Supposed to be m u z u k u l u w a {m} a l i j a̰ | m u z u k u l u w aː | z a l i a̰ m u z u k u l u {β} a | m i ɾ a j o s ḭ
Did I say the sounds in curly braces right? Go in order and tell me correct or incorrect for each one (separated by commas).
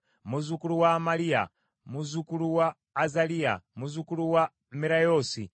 correct, incorrect